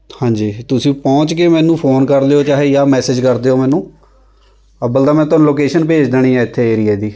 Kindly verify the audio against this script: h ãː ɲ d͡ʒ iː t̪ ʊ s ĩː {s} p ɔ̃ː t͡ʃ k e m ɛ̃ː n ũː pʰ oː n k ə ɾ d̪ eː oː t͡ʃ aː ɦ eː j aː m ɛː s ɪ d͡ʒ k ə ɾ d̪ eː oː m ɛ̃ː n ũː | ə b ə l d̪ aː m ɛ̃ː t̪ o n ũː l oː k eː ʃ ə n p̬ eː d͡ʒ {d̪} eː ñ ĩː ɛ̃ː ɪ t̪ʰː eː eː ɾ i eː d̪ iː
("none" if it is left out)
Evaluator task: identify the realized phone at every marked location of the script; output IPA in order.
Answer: none, d̪

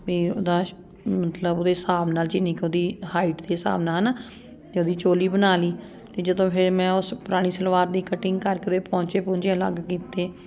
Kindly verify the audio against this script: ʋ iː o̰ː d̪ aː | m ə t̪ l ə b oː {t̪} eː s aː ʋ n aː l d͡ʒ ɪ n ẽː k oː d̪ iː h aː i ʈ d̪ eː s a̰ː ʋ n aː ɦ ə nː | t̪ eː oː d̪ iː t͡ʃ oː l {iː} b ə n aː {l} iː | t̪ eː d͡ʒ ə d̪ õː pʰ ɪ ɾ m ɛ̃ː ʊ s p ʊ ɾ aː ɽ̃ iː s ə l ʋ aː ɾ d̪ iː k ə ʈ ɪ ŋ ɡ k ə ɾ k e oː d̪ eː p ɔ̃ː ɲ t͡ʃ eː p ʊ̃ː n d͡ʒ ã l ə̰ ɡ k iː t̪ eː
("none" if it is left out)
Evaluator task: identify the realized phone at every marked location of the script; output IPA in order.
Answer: d̪, iː, l

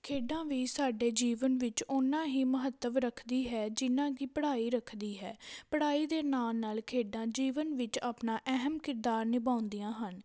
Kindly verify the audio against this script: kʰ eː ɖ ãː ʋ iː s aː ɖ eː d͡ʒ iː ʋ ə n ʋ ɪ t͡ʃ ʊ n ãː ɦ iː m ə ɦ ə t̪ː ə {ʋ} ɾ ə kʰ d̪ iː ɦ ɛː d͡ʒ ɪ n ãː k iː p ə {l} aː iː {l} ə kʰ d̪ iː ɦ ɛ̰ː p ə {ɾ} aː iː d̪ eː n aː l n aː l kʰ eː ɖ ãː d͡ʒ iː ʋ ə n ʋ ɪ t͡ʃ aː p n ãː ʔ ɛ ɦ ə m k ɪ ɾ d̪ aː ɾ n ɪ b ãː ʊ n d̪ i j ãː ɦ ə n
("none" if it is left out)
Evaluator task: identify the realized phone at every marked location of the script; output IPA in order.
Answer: ʋ, ɽ, ɾ, ɽ

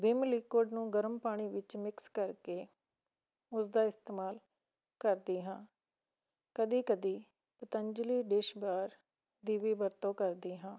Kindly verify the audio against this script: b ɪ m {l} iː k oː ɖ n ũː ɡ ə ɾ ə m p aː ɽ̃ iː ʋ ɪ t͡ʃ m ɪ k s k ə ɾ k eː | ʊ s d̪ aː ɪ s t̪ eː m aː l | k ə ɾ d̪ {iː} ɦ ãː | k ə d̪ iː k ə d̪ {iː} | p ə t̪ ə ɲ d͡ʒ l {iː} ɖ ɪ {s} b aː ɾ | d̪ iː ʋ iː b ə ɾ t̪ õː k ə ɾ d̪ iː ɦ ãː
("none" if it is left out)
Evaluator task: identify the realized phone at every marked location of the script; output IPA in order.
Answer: l, iː, iː, iː, ʃ

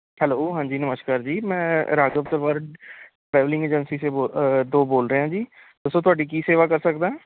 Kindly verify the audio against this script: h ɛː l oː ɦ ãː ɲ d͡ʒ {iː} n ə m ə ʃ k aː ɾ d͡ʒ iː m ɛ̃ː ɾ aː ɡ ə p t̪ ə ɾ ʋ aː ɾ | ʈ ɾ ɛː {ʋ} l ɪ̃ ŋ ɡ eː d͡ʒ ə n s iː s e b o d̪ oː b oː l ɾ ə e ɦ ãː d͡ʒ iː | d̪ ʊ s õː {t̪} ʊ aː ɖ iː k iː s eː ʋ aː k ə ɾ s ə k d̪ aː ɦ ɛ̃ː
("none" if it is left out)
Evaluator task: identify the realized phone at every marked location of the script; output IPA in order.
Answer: iː, ʋ, t̪

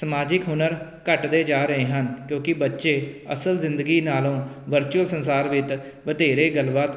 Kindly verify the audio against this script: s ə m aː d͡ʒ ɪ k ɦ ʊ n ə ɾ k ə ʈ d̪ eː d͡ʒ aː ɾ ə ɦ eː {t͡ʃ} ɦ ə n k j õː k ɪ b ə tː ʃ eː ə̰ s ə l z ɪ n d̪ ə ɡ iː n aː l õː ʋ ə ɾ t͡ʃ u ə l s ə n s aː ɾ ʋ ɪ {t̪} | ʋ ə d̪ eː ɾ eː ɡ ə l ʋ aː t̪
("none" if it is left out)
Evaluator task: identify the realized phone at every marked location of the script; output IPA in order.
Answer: none, t̪

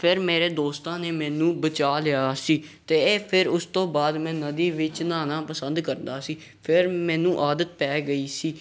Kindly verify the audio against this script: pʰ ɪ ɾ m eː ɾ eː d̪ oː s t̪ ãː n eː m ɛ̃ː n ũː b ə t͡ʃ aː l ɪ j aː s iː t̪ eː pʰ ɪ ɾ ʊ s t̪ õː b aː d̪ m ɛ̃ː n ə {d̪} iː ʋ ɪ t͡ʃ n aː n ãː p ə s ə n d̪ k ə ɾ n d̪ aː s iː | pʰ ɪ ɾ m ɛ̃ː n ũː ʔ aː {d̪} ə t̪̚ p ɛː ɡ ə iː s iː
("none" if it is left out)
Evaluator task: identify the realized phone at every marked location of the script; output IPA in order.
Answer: d̪, d̪

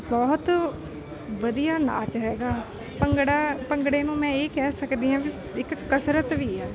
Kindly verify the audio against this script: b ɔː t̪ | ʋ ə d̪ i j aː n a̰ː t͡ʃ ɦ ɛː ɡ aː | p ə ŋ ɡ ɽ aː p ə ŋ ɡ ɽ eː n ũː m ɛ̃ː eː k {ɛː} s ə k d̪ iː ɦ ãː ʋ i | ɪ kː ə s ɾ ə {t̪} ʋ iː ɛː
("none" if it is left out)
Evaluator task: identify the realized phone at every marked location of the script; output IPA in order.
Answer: ɛː, t̪

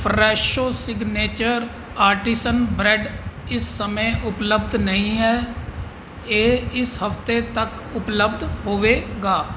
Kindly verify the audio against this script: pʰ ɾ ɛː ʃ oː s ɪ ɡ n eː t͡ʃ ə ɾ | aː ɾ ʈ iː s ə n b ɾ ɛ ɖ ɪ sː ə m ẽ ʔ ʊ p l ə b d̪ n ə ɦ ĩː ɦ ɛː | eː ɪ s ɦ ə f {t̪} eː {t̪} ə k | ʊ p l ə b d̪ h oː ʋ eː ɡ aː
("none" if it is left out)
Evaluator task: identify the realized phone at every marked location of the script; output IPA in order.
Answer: t̪, t̪

